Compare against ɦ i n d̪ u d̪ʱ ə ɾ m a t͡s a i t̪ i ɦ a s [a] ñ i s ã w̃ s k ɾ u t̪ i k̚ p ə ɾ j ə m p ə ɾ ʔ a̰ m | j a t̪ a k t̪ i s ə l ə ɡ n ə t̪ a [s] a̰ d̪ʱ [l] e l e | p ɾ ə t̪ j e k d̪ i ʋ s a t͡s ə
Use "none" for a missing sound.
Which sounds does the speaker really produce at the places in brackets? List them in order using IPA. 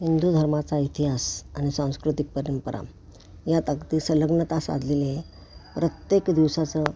a, s, l

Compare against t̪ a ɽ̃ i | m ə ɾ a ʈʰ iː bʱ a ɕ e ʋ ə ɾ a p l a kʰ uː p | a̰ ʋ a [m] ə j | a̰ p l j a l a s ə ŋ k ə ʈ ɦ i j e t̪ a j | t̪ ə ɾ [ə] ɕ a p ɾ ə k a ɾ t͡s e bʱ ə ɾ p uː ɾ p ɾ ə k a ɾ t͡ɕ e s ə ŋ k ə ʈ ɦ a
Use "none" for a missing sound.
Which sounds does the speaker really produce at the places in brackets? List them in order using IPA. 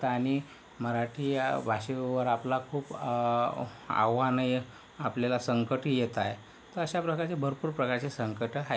n, ə

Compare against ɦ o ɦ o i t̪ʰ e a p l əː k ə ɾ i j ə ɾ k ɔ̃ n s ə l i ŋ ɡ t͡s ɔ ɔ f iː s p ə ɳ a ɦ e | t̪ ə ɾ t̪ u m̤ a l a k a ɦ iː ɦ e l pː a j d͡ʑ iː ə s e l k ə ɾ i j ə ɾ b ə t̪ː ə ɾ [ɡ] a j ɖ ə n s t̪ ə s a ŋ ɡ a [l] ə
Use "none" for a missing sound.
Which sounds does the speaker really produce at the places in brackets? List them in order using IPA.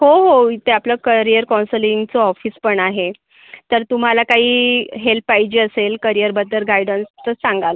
ɡ, l

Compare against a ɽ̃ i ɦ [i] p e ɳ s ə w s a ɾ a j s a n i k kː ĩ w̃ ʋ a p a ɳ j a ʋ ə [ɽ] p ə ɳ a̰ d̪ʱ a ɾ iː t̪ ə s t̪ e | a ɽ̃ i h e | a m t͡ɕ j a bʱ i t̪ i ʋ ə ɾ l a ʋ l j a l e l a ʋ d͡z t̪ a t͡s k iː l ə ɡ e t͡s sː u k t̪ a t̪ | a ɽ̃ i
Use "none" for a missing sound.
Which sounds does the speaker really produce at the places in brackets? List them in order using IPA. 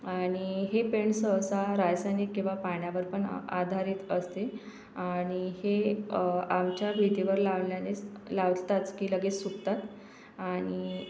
e, ɾ

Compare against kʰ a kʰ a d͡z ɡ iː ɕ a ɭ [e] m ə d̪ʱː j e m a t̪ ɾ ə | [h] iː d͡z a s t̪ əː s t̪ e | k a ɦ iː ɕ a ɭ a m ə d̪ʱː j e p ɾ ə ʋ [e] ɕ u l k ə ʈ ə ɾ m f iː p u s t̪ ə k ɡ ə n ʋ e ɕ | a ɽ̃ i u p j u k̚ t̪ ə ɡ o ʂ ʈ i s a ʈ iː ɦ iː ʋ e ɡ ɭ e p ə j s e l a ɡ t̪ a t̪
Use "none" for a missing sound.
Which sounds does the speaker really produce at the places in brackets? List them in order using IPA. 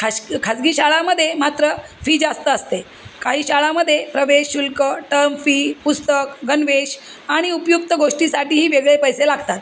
a, f, e

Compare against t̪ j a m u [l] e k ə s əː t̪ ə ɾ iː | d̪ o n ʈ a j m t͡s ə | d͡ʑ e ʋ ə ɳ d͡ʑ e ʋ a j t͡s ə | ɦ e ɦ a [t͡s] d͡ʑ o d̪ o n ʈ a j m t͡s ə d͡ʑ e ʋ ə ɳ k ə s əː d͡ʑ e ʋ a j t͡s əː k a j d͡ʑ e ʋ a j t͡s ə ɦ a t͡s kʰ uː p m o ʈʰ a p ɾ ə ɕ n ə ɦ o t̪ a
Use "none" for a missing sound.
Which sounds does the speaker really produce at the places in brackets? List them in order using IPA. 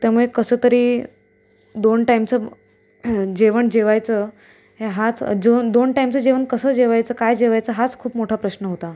ɭ, t͡s

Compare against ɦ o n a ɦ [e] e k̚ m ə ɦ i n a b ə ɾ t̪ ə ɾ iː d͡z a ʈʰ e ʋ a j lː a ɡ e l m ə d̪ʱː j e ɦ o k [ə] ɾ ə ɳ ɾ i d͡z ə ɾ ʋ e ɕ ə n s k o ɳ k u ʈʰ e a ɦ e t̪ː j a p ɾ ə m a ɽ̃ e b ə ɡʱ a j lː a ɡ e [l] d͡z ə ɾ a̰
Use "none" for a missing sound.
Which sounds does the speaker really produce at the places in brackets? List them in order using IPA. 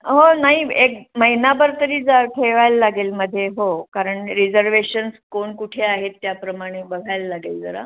i, a, l

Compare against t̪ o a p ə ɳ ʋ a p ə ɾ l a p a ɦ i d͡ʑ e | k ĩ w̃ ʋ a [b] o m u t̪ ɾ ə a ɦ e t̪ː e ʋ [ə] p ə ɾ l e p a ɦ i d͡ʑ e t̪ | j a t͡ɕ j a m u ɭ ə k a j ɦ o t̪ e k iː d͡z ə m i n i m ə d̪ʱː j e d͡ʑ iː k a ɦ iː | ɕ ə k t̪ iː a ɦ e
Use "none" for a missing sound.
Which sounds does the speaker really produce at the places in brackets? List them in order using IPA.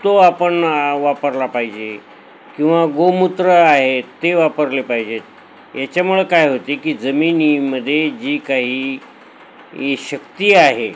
ɡ, a

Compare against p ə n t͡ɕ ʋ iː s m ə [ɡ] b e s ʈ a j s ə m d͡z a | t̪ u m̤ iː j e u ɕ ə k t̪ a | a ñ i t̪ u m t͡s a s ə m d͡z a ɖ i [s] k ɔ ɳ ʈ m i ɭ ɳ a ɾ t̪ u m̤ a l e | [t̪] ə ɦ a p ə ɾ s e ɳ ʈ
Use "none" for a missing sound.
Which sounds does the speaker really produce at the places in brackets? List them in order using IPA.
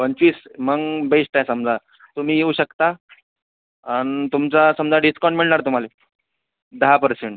ɡ, s, d̪

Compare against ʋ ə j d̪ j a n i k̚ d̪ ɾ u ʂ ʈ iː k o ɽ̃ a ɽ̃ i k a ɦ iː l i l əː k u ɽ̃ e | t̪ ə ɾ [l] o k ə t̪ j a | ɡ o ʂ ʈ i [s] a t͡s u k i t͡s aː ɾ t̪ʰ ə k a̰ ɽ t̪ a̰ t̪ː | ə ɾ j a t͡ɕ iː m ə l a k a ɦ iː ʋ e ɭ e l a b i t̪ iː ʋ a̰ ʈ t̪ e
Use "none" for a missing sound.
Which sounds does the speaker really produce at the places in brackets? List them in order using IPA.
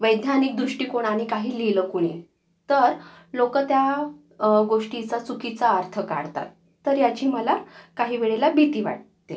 l, t͡s

